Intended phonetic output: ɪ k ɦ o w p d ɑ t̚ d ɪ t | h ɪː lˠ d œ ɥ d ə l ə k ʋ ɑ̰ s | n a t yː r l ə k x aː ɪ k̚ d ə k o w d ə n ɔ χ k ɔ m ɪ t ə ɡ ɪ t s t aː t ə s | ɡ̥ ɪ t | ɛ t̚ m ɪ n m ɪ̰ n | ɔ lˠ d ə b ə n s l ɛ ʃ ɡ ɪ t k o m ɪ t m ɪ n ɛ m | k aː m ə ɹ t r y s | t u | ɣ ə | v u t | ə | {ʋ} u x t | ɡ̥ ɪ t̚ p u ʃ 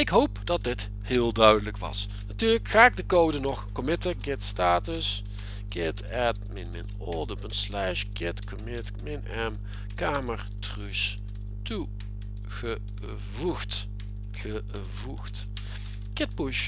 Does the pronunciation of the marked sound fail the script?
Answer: yes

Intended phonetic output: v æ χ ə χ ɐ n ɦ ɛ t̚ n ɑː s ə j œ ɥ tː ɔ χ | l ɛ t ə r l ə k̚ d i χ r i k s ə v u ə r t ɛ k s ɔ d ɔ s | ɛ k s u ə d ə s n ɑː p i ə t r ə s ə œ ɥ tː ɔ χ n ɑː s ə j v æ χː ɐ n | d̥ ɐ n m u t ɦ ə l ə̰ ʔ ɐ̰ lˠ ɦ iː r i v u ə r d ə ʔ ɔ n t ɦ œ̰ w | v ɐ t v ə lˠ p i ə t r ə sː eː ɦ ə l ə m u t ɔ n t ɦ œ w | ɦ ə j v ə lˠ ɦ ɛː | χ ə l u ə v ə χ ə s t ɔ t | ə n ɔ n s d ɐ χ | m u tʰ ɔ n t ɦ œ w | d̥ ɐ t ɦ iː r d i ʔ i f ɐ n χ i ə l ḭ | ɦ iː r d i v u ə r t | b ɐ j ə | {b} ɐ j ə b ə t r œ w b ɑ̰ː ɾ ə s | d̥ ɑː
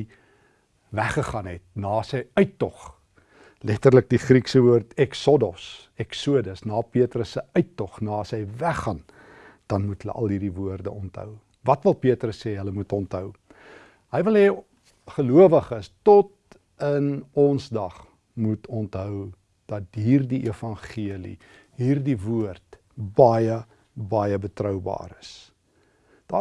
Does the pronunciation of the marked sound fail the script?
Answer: no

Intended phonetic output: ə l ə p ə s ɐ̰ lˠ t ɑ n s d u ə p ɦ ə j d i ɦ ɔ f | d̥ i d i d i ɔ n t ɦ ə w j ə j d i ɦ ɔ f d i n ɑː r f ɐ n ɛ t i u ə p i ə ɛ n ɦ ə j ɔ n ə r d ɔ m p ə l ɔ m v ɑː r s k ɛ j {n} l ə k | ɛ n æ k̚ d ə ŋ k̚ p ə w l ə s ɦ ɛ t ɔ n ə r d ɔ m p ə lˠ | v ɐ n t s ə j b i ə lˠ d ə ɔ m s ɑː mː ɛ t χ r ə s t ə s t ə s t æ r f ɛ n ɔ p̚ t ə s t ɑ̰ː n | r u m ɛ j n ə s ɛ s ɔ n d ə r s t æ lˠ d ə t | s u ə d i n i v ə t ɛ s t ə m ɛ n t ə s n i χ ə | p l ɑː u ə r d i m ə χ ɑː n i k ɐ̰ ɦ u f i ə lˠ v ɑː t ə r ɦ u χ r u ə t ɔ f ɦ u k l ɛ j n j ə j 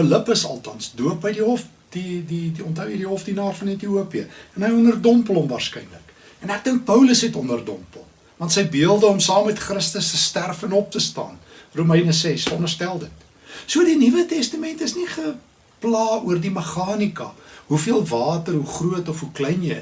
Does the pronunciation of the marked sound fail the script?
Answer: no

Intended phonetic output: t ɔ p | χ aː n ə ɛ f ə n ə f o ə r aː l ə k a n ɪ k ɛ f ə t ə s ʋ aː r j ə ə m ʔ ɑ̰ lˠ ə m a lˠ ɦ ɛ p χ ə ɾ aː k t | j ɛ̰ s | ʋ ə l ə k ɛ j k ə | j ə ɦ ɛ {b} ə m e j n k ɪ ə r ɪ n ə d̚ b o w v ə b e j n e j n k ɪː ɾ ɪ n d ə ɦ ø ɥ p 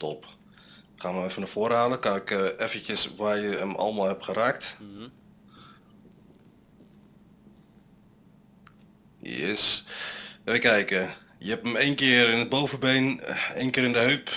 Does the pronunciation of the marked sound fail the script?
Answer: yes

